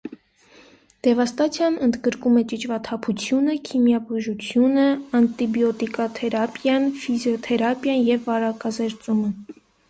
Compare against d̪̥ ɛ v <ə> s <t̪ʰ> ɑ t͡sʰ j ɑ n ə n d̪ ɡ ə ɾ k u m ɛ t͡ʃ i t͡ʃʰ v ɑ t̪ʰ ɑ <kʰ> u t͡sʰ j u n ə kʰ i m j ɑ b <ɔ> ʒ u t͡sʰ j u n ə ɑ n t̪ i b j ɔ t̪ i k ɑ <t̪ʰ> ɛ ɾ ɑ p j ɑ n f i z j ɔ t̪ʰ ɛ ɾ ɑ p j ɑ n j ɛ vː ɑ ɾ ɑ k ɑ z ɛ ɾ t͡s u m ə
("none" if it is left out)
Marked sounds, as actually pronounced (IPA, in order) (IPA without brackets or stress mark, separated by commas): ɑ, t̪, pʰ, u, t̪ʰ